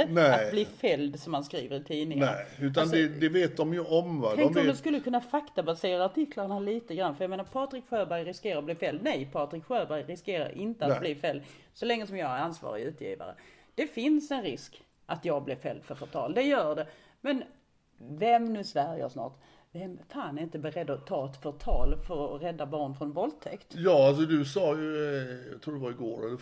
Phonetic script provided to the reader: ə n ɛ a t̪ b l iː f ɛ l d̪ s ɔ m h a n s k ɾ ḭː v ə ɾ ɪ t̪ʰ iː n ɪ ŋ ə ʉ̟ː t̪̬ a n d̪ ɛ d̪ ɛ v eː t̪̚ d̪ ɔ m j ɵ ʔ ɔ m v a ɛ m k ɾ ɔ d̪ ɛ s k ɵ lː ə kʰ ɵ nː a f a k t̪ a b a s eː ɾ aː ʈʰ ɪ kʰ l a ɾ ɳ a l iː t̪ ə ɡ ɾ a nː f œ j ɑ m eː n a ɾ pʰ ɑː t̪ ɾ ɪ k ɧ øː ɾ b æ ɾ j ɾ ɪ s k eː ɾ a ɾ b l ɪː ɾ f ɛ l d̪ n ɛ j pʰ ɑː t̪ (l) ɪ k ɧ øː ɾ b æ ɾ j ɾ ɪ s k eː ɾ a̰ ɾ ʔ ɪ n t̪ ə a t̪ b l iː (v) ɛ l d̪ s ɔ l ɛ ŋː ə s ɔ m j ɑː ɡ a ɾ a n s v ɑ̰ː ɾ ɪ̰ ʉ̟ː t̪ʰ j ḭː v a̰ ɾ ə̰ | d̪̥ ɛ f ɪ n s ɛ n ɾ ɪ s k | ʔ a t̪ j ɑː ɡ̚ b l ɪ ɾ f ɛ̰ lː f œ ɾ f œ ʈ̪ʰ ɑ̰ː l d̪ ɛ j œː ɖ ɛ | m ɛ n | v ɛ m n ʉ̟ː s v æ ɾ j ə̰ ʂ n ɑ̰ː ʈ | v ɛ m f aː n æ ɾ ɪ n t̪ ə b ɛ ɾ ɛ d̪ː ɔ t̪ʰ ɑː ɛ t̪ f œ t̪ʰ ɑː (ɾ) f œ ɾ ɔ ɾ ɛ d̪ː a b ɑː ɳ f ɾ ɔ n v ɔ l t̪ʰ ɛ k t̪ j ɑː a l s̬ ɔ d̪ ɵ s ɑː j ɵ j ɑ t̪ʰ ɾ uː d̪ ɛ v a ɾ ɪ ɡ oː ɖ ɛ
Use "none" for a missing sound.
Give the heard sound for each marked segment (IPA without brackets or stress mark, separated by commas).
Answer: ɾ, f, l